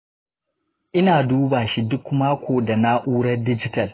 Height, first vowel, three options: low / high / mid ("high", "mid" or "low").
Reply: high